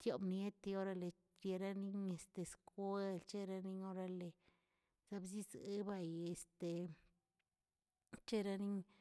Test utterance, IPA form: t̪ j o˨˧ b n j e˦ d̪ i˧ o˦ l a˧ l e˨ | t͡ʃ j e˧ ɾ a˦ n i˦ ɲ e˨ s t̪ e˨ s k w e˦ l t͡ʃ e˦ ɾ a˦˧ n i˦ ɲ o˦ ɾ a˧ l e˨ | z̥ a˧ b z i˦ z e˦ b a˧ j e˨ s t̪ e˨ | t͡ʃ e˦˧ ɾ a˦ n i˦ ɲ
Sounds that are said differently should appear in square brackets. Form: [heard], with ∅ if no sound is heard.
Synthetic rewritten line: t̪ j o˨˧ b n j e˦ [t̪] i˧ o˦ [ɾ] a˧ l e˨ | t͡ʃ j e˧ ɾ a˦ n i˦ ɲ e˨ s t̪ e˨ s k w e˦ l t͡ʃ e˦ ɾ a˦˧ n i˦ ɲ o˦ ɾ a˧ l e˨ | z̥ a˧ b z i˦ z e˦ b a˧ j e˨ s t̪ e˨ | t͡ʃ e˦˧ ɾ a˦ n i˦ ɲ